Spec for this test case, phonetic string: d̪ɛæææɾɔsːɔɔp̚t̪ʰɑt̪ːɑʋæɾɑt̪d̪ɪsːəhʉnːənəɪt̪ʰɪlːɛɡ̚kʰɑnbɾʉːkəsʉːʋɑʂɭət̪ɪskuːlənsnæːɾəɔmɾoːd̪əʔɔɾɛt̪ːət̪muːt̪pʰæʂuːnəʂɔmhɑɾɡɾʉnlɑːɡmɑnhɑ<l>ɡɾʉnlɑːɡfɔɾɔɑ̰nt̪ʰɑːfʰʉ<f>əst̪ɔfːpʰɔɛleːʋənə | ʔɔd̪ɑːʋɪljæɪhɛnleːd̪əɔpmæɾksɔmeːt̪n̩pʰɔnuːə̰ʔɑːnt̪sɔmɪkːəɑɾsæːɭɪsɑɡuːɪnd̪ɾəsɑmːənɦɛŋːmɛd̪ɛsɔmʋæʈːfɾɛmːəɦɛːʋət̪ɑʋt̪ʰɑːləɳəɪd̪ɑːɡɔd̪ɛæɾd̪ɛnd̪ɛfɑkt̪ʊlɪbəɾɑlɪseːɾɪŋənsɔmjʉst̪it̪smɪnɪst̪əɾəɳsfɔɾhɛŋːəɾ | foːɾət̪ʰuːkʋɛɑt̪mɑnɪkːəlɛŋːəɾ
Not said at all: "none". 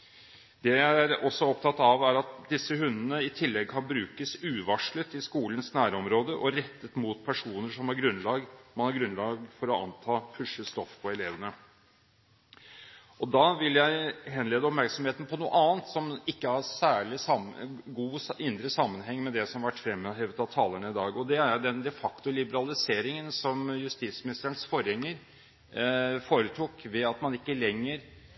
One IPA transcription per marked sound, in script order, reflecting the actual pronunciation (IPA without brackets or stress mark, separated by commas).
ɾ, ʂ